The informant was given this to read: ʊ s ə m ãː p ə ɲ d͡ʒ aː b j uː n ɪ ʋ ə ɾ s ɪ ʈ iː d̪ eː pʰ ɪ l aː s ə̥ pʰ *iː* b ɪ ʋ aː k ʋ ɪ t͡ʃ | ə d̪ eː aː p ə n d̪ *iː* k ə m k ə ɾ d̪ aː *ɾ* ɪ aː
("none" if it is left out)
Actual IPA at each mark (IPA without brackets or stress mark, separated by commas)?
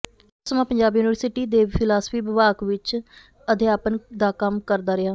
iː, aː, ɾ